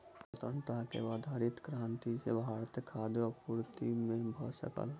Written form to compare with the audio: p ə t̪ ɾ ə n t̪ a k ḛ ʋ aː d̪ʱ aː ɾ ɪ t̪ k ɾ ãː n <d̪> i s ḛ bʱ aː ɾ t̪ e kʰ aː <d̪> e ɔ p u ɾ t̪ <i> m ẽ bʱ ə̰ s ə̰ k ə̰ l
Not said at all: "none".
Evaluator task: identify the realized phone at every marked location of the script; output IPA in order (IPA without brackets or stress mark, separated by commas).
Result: t̪, d̪, i